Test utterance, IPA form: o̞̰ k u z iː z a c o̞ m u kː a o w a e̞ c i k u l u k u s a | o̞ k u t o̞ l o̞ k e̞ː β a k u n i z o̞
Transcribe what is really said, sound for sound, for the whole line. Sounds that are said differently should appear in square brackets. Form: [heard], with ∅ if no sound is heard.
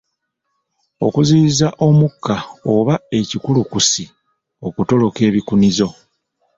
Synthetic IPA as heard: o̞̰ k u z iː z a [ʔ] o̞ m u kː a o [β] a e̞ c i k u l u k u s [i] | o̞ k u t o̞ l o̞ k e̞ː β [i] k u n i z o̞